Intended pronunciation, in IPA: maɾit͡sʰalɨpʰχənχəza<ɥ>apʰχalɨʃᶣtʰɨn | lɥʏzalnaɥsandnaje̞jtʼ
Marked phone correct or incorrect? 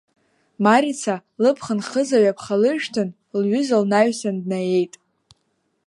correct